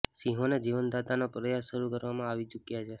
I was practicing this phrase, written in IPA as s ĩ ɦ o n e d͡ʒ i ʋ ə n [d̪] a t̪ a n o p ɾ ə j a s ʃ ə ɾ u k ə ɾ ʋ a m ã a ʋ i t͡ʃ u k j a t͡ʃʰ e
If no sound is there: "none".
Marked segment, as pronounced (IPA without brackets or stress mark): d̪